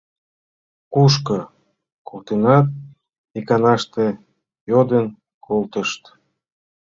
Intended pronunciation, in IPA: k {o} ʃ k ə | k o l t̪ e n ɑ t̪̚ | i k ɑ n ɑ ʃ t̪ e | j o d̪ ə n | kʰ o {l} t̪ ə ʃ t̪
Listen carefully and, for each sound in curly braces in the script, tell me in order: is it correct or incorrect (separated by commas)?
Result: incorrect, correct